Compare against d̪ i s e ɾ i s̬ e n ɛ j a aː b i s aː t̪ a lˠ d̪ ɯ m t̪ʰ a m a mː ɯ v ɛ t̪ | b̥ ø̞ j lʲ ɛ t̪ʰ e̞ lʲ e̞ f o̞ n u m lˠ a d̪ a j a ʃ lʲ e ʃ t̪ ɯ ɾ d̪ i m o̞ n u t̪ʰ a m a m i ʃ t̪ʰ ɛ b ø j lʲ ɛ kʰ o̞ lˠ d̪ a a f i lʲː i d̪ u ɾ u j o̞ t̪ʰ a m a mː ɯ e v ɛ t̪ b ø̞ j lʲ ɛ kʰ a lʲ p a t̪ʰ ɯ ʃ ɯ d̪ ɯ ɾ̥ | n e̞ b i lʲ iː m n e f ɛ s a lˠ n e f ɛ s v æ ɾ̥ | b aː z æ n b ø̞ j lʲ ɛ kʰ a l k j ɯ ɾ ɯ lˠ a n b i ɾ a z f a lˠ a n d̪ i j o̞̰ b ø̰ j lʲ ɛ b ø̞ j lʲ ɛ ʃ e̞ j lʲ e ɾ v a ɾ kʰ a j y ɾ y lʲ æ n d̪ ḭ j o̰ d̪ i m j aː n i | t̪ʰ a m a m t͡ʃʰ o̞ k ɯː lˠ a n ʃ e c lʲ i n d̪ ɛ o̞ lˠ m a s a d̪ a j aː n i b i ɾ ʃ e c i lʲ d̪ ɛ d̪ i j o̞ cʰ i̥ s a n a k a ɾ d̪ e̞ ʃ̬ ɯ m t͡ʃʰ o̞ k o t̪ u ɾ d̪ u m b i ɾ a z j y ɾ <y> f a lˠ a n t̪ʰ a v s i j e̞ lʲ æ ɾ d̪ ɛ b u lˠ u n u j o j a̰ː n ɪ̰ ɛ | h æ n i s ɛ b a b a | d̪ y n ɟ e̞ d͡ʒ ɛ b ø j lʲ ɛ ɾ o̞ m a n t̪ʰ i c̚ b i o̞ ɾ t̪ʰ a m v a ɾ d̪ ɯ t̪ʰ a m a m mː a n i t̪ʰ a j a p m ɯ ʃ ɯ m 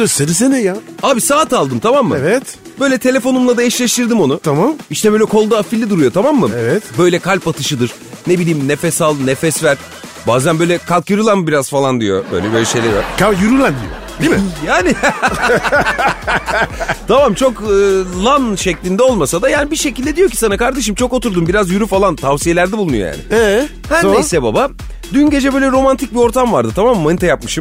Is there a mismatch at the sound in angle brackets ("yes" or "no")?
no